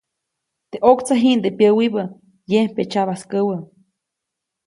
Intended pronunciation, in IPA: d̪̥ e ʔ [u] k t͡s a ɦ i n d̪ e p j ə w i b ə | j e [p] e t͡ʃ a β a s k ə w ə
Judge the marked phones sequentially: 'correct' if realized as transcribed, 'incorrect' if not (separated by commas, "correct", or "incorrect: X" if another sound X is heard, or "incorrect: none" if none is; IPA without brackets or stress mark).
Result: incorrect: o, correct